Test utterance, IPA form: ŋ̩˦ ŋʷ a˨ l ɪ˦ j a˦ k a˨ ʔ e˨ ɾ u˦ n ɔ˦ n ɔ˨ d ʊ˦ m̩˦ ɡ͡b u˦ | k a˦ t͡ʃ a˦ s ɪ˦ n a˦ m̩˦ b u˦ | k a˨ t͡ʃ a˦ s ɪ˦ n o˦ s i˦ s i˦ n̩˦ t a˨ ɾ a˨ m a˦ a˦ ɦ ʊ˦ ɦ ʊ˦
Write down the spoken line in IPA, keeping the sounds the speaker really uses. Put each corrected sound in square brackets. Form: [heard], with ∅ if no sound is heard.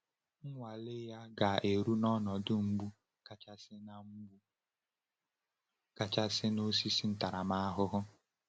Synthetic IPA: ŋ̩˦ ŋʷ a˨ l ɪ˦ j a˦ [ɡ] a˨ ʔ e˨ ɾ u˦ n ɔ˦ n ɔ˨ d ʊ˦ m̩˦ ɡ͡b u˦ | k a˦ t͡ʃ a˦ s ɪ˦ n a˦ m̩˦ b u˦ | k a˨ t͡ʃ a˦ s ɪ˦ n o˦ s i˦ s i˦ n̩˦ t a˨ ɾ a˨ m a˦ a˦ ɦ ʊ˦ ɦ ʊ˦